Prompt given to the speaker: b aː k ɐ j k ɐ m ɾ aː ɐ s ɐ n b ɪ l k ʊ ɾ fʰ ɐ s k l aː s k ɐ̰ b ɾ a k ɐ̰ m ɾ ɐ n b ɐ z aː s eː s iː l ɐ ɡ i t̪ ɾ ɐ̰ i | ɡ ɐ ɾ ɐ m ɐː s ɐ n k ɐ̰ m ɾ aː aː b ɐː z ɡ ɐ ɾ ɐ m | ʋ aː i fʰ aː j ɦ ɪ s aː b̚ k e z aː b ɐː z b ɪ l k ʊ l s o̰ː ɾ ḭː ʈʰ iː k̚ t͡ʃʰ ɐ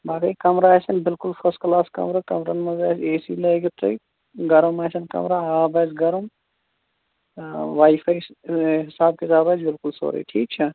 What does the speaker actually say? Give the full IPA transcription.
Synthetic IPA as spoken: b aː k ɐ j k ɐ m ɾ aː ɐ s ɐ n b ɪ l k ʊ l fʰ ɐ s k l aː s k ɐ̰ m ɾ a k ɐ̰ m ɾ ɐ n m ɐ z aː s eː s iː l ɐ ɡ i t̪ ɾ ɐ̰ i | ɡ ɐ ɾ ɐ m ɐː s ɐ n k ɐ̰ m ɾ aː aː b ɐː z ɡ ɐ ɾ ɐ m | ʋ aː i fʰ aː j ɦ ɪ s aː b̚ k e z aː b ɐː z b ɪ l k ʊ l s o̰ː ɾ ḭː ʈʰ iː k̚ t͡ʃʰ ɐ